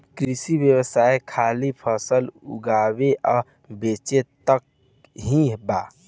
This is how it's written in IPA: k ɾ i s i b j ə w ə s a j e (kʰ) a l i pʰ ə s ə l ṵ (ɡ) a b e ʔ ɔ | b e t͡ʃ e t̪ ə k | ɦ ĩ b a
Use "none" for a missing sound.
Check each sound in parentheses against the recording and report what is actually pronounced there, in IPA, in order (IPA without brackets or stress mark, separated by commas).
kʰ, ɡ